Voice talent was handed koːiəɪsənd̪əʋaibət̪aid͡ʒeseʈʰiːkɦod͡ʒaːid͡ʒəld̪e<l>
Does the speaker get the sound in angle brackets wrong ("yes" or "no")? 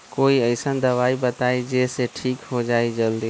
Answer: yes